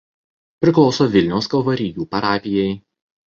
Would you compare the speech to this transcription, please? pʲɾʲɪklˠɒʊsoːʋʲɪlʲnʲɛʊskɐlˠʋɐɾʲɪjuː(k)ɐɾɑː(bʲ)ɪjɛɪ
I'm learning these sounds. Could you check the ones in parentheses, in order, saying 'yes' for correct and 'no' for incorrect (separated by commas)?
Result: no, no